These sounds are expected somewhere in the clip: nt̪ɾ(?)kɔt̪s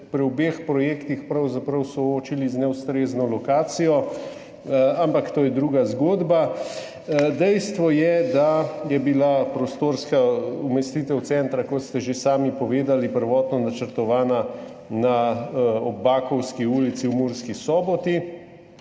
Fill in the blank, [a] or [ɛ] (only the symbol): a